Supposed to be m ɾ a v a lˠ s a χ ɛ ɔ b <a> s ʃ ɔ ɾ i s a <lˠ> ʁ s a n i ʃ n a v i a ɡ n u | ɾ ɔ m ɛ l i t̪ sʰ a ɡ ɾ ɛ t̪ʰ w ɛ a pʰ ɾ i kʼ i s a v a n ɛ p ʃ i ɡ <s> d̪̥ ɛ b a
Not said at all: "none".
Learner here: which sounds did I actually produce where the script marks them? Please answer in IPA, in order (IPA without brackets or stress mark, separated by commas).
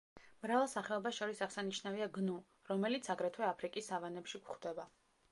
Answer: a, none, χ